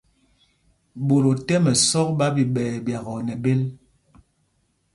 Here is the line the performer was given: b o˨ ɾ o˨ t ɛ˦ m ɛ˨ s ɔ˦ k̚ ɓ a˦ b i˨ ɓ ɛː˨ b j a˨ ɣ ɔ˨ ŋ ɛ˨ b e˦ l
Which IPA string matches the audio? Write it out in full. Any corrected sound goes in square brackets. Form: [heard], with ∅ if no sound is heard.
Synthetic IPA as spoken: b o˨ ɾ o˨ t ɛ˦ m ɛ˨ s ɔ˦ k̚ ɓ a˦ b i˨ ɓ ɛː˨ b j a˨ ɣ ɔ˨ [n] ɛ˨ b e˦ l